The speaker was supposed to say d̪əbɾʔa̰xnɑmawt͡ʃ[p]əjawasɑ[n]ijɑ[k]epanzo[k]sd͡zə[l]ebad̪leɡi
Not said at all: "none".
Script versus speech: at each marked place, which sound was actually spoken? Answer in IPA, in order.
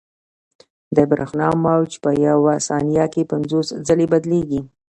p, n, k, none, l

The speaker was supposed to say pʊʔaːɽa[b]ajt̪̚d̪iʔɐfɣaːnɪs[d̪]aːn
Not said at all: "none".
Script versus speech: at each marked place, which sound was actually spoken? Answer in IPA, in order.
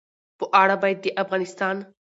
b, t̪

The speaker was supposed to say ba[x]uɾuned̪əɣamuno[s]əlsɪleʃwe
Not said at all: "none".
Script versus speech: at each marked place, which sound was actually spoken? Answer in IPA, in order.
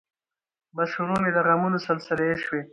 ʃ, s

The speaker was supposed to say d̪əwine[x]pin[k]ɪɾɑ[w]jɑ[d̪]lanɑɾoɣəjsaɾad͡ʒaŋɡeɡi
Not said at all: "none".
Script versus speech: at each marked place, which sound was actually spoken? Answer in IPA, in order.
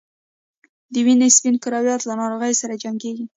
s, k, w, t̪

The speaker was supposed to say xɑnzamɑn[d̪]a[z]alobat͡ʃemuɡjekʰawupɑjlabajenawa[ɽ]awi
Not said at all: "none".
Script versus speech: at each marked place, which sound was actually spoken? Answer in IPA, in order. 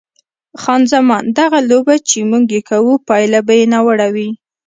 d̪, ɣ, ɽ

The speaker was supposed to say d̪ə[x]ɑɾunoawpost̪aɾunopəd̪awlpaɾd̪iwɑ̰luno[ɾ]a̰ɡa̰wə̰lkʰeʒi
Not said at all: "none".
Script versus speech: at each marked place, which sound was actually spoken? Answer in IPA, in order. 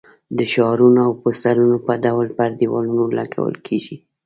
ʃ, l

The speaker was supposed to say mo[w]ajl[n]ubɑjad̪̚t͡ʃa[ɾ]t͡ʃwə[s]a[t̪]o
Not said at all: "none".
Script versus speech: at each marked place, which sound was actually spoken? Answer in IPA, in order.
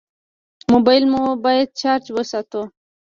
b, m, ɾ, s, t̪

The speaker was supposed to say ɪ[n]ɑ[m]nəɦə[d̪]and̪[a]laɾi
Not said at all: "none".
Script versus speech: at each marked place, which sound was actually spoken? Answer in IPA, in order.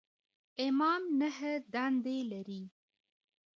m, m, d̪, e

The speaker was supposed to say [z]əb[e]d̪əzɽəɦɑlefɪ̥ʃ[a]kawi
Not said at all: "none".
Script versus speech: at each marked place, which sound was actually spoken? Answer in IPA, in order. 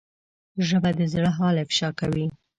ʒ, a, ɑ

